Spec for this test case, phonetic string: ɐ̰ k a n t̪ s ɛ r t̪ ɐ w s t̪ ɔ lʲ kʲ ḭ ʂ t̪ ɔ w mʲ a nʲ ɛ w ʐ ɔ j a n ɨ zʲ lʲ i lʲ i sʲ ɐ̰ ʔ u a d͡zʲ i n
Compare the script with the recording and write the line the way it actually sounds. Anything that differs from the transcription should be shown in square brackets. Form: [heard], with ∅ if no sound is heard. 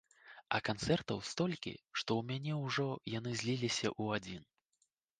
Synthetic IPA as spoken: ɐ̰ k a n t̪ s ɛ r t̪ ɐ w s t̪ ɔ lʲ kʲ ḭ ʂ t̪ ɔ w mʲ a nʲ ɛ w ʐ ɔ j a n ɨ zʲ lʲ i lʲ i sʲ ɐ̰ ʔ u a d͡zʲ i n